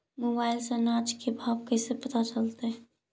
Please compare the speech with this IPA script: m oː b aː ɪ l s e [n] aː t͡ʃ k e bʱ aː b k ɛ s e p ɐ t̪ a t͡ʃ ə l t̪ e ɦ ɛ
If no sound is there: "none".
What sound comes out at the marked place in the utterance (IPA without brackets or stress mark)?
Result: n